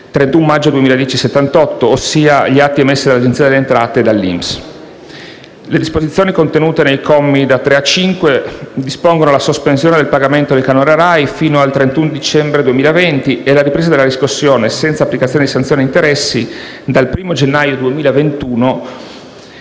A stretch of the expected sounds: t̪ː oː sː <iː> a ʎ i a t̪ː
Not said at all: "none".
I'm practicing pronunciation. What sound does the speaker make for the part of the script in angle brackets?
iː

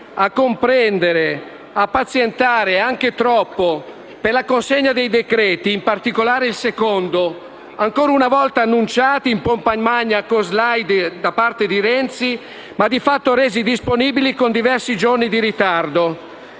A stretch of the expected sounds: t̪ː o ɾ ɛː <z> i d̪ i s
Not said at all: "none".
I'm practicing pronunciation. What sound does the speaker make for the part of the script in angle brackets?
z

